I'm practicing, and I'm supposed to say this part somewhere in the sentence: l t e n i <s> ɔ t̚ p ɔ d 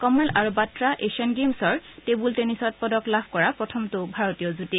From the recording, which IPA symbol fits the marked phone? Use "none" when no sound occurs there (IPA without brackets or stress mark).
s